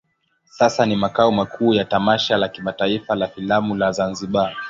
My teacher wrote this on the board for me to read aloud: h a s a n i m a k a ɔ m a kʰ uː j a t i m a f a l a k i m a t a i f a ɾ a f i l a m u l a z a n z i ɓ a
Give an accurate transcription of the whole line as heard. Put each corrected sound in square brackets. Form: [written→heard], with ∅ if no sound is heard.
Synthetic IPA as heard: [h→s] a s a n i m a k a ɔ m a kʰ uː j a t [i→a] m a [f→ʃ] a l a k i m a t a i f a [ɾ→l] a f i l a m u l a z a n z i ɓ a